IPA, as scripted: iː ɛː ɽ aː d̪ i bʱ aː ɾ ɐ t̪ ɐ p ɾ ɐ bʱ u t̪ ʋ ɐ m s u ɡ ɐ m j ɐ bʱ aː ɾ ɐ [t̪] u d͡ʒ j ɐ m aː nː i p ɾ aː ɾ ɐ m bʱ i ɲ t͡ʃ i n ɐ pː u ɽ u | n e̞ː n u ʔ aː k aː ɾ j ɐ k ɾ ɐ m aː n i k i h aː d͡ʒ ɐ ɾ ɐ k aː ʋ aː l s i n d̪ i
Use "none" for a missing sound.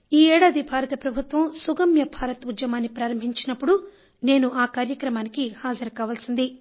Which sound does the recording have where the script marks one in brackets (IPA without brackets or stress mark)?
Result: t̪